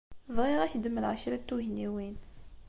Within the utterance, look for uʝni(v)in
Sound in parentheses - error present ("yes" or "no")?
yes